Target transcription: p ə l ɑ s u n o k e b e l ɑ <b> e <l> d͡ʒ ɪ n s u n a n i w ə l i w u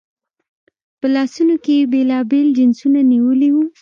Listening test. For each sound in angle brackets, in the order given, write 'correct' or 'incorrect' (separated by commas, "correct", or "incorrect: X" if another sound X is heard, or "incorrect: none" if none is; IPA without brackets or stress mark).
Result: correct, correct